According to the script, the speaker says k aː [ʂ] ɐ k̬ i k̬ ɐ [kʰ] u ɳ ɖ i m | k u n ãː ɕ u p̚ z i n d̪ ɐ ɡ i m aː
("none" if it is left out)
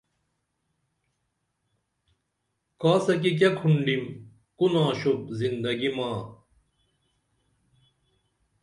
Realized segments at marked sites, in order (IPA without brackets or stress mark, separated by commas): s, kʰ